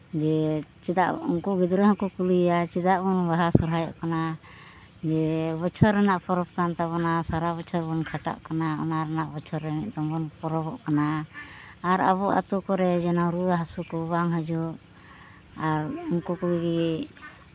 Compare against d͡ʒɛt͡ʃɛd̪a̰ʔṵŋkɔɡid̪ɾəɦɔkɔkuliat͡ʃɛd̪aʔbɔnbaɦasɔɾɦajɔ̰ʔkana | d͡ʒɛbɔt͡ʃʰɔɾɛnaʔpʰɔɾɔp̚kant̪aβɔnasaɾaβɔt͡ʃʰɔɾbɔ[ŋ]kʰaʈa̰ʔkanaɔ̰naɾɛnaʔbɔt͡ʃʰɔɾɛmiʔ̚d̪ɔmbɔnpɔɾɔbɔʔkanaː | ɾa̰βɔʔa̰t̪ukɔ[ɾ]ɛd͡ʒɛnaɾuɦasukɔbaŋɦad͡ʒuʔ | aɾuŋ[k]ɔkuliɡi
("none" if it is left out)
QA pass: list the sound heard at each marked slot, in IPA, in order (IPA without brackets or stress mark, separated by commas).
n, ɾ, k